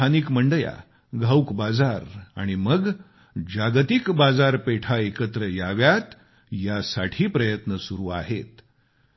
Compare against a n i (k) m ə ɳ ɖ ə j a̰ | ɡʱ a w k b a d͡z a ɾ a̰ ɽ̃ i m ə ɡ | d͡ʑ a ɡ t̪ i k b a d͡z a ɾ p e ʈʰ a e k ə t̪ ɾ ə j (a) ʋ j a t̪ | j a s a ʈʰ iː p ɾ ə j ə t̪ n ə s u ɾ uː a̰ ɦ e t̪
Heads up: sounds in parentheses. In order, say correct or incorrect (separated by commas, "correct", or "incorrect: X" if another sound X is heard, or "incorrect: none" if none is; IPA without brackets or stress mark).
correct, correct